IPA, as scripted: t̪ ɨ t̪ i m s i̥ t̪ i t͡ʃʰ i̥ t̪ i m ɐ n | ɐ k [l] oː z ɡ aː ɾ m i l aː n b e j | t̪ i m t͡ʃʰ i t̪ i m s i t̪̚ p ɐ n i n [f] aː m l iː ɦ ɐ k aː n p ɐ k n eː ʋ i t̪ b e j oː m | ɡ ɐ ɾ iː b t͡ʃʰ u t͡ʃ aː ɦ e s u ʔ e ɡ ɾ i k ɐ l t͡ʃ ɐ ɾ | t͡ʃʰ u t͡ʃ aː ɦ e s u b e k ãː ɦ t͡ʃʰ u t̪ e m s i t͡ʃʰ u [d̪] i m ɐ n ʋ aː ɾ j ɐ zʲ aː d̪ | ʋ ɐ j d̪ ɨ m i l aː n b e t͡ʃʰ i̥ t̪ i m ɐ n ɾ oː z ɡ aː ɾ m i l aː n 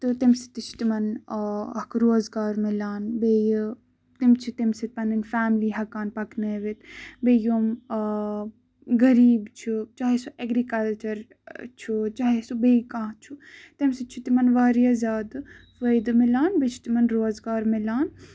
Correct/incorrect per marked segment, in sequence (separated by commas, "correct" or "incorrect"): incorrect, correct, incorrect